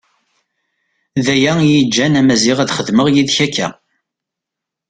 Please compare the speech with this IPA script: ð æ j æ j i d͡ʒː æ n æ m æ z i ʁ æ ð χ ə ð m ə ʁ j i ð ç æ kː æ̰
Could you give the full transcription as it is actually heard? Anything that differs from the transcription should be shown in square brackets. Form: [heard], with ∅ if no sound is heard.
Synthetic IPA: ð æ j æ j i d͡ʒː æ n æ m æ z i ʁ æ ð χ ə ð m ə ʁ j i ð ç æ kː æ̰